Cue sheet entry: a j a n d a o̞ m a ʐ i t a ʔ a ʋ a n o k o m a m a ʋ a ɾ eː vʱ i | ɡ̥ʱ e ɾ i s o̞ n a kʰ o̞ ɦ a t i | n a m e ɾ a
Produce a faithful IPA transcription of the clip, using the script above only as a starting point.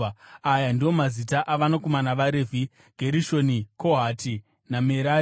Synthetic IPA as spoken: a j a n d i o̞ m a z i t a ʔ a ʋ a n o k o m a n a ʋ a ɾ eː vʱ i | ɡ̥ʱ e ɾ i ʃ o̞ n i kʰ o̞ ɦ a t i | n a m e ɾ a